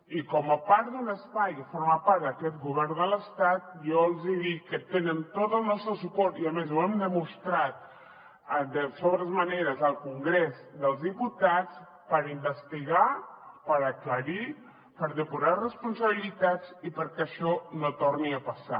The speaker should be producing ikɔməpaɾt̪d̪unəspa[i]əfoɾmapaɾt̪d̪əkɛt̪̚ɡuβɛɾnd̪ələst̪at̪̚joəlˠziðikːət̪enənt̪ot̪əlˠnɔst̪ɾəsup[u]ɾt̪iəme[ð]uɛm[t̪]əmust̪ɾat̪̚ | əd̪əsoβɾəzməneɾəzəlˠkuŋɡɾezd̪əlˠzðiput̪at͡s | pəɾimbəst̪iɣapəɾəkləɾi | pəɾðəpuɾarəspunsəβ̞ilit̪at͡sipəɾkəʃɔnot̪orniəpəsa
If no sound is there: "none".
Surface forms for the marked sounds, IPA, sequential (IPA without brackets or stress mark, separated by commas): j, ɔ, z, d̪